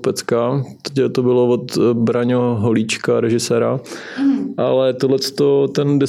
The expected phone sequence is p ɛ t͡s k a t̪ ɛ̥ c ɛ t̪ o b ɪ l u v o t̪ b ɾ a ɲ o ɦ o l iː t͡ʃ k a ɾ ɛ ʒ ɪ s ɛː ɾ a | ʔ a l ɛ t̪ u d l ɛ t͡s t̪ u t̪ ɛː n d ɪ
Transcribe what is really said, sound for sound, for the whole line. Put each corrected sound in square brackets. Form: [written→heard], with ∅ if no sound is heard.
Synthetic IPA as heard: p ɛ t͡s k a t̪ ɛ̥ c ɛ t̪ o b ɪ l [u→o] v o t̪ b ɾ a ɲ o ɦ o l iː t͡ʃ k a ɾ ɛ ʒ ɪ s ɛː ɾ a | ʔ a l ɛ t̪ [u→o] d l ɛ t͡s t̪ [u→o] t̪ [ɛː→ɛ] n d ɪ